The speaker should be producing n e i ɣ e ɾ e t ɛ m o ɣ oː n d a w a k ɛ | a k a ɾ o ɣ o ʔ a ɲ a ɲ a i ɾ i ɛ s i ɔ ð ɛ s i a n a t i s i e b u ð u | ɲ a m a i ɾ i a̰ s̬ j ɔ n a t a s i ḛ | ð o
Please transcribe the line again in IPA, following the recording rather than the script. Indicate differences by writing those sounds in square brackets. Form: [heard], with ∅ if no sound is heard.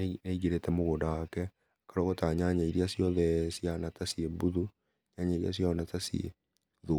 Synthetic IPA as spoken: n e i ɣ e ɾ e t ɛ m o ɣ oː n d a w a k ɛ | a k a ɾ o ɣ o [t] a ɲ a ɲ a i ɾ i [a] s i ɔ ð ɛ s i a n a t [a] s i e b u ð u | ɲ a [ɲ] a i ɾ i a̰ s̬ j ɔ n a t a s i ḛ | ð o